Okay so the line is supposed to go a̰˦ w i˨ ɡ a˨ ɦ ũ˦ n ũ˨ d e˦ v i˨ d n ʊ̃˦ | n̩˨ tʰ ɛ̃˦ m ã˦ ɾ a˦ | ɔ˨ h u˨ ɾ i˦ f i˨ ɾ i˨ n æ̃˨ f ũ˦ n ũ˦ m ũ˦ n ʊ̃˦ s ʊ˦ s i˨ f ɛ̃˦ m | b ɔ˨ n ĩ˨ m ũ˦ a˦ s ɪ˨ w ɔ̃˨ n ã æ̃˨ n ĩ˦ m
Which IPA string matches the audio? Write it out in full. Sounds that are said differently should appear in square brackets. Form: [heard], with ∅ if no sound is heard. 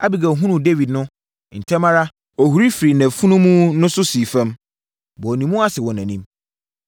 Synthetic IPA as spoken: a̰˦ [b] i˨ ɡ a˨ ɦ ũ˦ n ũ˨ d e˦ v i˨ d n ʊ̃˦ | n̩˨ tʰ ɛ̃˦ m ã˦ ɾ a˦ | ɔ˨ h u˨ ɾ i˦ f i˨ ɾ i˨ n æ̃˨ f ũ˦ n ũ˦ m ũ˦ n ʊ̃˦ s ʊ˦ s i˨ f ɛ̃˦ m | b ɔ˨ n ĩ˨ m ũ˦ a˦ s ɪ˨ w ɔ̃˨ n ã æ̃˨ n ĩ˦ m